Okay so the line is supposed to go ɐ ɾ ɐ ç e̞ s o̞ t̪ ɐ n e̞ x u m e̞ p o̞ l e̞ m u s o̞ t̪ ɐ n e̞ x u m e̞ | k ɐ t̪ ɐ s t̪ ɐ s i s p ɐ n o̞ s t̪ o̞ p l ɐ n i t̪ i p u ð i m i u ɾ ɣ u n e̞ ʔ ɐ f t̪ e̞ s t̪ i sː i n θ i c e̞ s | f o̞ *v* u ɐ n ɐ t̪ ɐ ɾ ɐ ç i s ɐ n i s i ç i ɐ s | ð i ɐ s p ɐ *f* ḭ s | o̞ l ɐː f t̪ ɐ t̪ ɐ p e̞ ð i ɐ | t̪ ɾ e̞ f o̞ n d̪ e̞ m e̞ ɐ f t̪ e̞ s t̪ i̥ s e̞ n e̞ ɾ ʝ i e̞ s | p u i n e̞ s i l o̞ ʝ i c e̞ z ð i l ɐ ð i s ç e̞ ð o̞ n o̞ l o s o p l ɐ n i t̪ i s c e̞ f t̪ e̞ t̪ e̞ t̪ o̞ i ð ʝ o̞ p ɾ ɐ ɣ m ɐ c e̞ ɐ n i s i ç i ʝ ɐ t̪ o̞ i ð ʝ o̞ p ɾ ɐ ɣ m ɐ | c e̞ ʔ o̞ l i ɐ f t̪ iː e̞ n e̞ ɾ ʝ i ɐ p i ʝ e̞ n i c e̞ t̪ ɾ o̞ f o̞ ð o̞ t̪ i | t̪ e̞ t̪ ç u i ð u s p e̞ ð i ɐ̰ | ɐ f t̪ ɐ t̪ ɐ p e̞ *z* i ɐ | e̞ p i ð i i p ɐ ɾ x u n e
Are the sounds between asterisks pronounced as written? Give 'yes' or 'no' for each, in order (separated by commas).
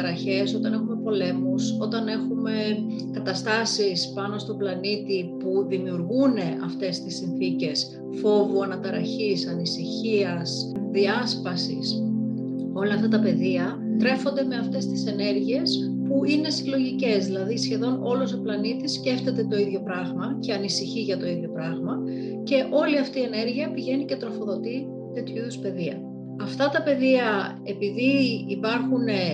yes, no, no